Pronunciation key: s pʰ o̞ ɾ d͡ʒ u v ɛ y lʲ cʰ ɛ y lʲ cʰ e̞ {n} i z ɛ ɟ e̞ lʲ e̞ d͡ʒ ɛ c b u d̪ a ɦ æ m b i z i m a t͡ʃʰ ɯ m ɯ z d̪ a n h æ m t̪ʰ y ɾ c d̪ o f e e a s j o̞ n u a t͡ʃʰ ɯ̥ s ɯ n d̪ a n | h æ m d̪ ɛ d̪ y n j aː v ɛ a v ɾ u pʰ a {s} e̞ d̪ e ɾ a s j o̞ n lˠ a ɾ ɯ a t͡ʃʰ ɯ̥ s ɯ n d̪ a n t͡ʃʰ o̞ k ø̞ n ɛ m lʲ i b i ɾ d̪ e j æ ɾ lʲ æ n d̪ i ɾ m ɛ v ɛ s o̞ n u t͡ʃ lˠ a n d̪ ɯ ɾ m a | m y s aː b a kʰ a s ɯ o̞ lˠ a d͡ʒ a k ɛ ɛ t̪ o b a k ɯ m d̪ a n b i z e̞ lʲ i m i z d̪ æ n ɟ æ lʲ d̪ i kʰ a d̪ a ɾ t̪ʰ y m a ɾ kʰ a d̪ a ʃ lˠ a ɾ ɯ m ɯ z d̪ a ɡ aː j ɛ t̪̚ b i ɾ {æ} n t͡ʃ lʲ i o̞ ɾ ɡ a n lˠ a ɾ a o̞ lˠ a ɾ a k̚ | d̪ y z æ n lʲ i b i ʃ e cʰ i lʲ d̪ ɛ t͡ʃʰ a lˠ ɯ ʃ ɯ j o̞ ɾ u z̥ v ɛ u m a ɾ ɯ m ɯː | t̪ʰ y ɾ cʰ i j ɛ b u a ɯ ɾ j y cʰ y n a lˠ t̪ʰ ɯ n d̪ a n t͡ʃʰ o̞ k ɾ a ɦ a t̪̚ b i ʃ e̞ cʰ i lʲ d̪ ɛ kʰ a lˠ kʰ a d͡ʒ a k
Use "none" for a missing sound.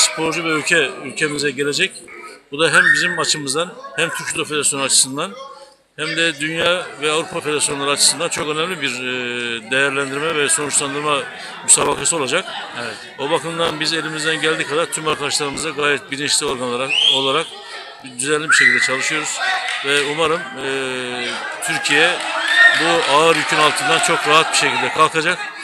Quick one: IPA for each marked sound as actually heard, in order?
m, f, i

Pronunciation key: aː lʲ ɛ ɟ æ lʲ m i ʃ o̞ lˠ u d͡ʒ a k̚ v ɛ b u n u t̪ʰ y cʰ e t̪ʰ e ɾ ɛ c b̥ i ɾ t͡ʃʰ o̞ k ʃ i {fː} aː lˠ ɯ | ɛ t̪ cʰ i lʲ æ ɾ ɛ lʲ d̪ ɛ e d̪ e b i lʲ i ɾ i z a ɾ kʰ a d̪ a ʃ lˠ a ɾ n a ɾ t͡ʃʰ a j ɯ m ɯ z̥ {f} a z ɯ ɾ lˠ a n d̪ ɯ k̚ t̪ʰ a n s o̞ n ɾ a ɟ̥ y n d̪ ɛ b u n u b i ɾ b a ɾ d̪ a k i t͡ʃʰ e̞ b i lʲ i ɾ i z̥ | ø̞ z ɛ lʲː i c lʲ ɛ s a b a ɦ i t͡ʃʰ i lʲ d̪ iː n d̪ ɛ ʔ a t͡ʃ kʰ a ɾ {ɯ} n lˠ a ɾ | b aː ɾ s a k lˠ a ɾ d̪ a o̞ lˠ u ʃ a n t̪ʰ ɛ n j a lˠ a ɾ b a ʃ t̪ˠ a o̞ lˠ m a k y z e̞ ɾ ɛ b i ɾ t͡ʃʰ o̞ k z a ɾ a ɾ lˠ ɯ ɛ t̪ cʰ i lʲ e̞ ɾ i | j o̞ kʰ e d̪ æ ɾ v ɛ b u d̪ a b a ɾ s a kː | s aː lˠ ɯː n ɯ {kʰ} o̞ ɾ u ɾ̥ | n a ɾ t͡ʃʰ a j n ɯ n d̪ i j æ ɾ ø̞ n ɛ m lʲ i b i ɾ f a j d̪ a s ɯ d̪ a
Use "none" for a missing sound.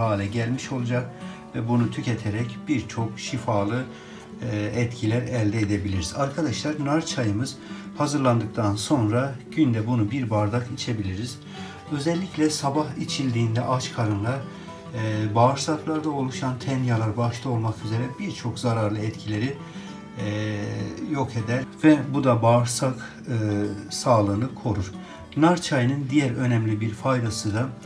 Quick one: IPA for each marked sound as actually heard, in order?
f, h, ɯ, kʰ

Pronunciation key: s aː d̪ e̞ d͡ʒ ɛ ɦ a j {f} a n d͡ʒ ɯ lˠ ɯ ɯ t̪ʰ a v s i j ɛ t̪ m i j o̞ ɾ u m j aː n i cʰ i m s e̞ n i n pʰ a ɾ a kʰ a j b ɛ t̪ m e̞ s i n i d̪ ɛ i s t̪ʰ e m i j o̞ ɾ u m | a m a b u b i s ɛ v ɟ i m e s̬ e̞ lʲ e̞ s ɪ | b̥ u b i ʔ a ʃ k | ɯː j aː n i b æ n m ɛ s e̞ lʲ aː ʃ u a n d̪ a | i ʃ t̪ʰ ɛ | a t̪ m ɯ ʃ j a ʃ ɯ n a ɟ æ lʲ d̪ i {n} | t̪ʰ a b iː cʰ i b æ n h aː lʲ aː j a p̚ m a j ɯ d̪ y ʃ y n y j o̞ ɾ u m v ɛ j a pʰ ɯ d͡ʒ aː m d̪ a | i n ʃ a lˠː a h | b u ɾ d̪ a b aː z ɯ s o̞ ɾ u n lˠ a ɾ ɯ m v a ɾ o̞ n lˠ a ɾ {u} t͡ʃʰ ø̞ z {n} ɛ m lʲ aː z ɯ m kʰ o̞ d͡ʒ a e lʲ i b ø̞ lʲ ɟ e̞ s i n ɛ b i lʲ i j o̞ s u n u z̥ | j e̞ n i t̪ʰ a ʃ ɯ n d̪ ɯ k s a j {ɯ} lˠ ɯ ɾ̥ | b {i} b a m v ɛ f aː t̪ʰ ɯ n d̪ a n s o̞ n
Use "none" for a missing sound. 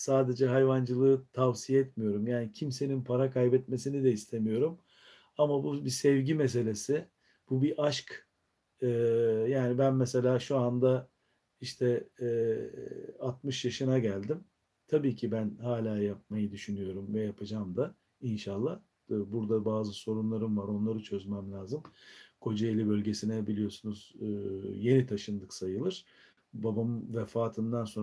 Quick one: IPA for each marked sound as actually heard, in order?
v, m, ɯ, m, ɯ, a

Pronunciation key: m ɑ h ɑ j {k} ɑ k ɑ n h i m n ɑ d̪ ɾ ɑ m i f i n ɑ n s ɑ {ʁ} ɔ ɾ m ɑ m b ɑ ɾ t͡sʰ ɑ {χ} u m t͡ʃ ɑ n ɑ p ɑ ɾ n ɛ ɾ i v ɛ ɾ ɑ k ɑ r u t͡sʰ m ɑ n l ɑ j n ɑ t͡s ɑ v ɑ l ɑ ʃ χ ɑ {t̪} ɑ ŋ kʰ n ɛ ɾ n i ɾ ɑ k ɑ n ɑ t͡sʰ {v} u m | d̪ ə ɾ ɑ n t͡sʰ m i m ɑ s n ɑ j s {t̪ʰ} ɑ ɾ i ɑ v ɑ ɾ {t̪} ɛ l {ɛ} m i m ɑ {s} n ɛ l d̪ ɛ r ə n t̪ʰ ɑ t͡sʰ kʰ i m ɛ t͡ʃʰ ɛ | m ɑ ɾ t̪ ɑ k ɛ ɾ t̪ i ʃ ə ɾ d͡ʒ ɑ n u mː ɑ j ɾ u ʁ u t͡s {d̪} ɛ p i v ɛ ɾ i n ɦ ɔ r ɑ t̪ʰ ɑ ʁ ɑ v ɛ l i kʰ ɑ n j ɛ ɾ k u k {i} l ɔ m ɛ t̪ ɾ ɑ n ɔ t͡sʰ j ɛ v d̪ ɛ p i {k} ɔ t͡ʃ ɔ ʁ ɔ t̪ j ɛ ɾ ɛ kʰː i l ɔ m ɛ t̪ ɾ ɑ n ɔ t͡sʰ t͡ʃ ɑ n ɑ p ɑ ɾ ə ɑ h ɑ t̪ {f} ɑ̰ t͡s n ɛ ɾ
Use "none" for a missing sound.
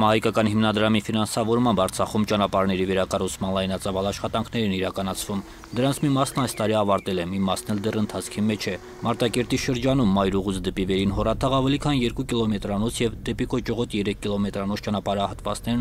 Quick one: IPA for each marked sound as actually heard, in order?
k, v, χ, t̪, v, t̪, t̪, ɛ, s, d̪, i, k, v

